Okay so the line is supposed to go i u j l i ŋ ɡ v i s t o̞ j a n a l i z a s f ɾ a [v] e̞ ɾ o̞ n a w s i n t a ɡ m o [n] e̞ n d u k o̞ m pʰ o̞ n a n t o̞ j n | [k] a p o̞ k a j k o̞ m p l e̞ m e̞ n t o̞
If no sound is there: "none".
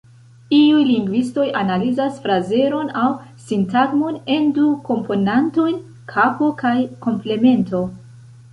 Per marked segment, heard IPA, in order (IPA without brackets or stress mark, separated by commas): z, n, kʰ